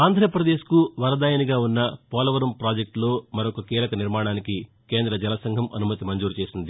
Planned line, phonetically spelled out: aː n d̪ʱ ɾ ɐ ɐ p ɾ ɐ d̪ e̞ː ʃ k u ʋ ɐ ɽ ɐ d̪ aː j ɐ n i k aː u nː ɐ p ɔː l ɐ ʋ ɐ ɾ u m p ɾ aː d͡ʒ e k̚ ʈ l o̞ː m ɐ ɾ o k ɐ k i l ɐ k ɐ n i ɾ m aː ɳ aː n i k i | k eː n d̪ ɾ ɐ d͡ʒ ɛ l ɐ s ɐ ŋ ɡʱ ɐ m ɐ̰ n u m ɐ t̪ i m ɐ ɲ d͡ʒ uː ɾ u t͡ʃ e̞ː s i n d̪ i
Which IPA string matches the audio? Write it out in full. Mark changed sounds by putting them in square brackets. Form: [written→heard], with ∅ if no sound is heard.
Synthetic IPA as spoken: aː n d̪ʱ ɾ ɐ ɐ p ɾ ɐ d̪ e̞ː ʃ k u ʋ ɐ [ɽ→ɾ] ɐ d̪ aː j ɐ n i [k→ɡ] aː u nː ɐ p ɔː l ɐ ʋ ɐ ɾ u m p ɾ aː d͡ʒ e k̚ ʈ l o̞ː m ɐ ɾ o k ɐ k [i→iː] l ɐ k ɐ n i ɾ m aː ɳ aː n i k i | k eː n d̪ ɾ ɐ d͡ʒ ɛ l ɐ s ɐ ŋ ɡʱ ɐ m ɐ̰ n u m ɐ t̪ i m ɐ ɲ d͡ʒ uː ɾ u t͡ʃ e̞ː s i n d̪ i